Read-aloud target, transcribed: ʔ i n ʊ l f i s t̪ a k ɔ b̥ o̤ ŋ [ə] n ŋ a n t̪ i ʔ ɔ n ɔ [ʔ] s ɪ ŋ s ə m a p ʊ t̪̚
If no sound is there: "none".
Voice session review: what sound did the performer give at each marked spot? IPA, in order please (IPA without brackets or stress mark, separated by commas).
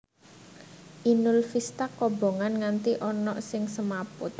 a, ʔ